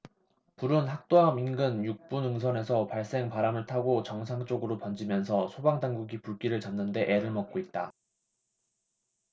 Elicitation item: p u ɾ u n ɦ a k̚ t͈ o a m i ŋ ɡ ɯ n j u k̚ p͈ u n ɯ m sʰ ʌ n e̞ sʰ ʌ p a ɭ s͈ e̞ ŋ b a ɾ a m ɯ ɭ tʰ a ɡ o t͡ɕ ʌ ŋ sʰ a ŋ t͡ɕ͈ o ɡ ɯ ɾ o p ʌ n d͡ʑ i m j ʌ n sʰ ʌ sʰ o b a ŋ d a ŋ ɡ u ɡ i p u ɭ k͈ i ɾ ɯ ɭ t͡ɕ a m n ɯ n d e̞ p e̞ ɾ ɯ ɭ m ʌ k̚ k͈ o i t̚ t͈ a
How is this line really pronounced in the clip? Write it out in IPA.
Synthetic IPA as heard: p u ɾ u n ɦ a k̚ t͈ o a m i n ɡ ɯ n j u k̚ p͈ u n ɯ ŋ sʰ ʌ n e̞ sʰ ʌ p a ɭ s͈ e̞ ŋ p a ɾ a m ɯ ɭ tʰ a ɡ o t͡ɕ ʌ ŋ sʰ a ŋ t͡ɕ͈ o ɡ ɯ ɾ o p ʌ n d͡ʑ i m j ʌ n sʰ ʌ sʰ o b a ŋ d a ŋ ɡ u ɡ i p u ɭ k͈ i ɾ ɯ ɭ t͡ɕ a m n ɯ n d e̞ ʔ e̞ ɾ ɯ ɭ m ʌ k̚ k͈ o i t̚ t͈ a